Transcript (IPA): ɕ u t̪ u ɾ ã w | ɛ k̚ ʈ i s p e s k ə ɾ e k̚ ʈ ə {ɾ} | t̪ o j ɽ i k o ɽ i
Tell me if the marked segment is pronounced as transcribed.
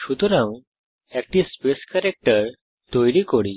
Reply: yes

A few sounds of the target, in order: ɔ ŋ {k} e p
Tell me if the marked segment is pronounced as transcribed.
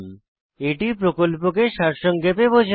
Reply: no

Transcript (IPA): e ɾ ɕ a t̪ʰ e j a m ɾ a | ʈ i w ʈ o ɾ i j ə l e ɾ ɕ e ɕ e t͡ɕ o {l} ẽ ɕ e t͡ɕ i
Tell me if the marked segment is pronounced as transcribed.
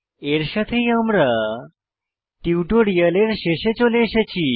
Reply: yes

